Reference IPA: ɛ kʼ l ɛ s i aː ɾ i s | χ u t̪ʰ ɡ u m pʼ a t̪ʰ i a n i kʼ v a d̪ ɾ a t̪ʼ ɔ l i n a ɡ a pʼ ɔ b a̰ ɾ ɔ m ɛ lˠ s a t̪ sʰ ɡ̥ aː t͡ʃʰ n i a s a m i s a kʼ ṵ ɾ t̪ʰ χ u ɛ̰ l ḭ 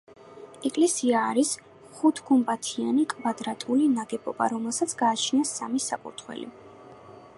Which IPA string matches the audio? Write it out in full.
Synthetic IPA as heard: ɛ kʼ l ɛ s i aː ɾ i s | χ u t̪ʰ ɡ u m pʼ a t̪ʰ i a n i kʼ v a d̪ ɾ a t̪ʼ u l i n a ɡ ɛ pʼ ɔ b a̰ ɾ ɔ m ɛ lˠ s a t̪ sʰ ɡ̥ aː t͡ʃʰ n i a s a m i s a kʼ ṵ ɾ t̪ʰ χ w ɛ̰ l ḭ

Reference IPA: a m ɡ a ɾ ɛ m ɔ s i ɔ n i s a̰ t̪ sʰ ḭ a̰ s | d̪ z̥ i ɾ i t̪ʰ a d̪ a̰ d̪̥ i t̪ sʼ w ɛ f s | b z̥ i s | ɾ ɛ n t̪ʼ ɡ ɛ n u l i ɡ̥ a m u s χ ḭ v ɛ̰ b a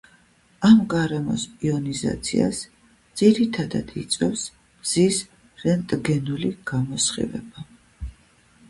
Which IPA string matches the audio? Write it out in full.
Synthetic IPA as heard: a m ɡ a ɾ ɛ m ɔ s i ɔ n i z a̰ t̪ sʰ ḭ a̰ s | d̪ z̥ i ɾ i t̪ʰ a d̪ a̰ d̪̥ i t̪ sʼ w ɛ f s | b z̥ i s | ɾ ɛ n t̪ʼ ɡ ɛ n u l i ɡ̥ a m ɔ s χ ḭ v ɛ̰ b a

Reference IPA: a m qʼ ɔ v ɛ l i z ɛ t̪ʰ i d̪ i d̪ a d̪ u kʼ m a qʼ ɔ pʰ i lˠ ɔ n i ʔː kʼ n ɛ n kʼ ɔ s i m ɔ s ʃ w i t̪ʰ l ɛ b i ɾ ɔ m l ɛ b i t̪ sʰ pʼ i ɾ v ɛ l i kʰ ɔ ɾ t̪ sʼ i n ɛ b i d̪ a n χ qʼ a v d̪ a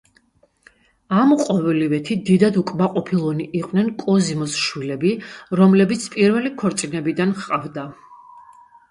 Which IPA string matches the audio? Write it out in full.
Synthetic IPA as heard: a m qʼ ɔ v ɛ l i v ɛ t̪ʰ i d̪ i d̪ a d̪ u kʼ m a qʼ ɔ pʰ i lˠ ɔ n i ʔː qʼ n ɛ n kʼ ɔ z i m ɔ s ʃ w i l ɛ b i ɾ ɔ m l ɛ b i t̪ sʰ pʼ i ɾ v ɛ l i kʰ ɔ ɾ t̪ sʼ i n ɛ b i d̪ a n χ qʼ a v d̪ a

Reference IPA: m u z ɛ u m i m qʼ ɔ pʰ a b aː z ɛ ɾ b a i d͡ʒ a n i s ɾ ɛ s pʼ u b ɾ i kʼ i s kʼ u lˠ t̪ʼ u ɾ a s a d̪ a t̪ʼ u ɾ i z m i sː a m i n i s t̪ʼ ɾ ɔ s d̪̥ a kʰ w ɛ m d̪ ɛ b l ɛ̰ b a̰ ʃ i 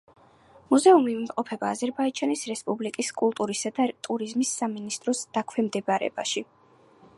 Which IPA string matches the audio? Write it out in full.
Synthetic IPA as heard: m u z ɛ u m i m qʼ ɔ pʰ ɛ b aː z ɛ ɾ b a i d͡ʒ a n i s ɾ ɛ s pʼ u b l i kʼ i s kʼ u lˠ t̪ʼ u ɾ i s a d̪ a t̪ʼ u ɾ i z m i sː a m i n i s t̪ʼ ɾ ɔ s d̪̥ a kʰ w ɛ m d̪ ɛ b ɾ ɛ̰ b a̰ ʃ i

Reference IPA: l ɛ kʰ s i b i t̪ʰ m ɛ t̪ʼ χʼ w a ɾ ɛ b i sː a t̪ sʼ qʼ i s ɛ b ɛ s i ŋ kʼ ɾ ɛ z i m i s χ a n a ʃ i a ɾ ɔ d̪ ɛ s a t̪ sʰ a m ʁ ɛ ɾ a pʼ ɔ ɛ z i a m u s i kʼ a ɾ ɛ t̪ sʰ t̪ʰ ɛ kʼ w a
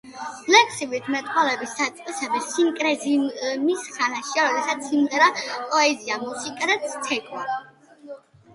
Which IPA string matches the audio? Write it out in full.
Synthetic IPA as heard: l ɛ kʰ s i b i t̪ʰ m ɛ t̪ʼ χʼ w a l ɛ b i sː a t̪ sʼ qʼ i s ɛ b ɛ s i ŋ kʼ ɾ ɛ z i m i s χ a n a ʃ i a ɾ ɔ d̪ ɛ s a t̪ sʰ i m ʁ ɛ ɾ a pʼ ɔ ɛ z i a m u s i kʼ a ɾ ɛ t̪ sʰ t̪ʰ ɛ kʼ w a

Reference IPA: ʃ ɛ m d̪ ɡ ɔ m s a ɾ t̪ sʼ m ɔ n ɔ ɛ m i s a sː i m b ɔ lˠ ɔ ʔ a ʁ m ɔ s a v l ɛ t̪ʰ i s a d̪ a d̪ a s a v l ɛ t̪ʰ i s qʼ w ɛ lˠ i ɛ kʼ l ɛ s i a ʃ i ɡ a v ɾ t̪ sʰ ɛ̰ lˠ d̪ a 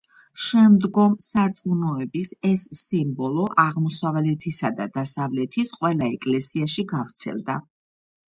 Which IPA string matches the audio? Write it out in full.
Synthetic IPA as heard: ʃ ɛ m d̪ ɡ ɔ m s a ɾ t̪ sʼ m u n ɔ ɛ b i s ɛ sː i m b ɔ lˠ ɔ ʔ a ʁ m ɔ s a v l ɛ t̪ʰ i s a d̪ a d̪ a s a v l ɛ t̪ʰ i s qʼ w ɛ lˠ a ɛ kʼ l ɛ s i a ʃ i ɡ a v ɾ t̪ sʰ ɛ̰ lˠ d̪ a

